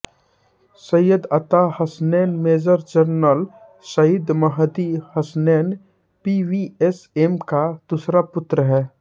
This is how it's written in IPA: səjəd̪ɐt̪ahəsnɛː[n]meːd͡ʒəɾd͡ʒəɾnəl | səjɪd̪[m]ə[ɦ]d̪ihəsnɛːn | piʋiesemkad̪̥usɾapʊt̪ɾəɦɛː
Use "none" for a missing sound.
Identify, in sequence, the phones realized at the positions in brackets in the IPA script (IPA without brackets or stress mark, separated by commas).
n, m, ɦ